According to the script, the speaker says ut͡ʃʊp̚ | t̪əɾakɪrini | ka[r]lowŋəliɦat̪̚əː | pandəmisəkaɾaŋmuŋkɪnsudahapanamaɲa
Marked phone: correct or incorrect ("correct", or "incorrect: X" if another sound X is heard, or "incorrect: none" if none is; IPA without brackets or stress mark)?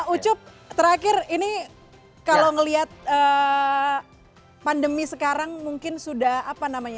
incorrect: none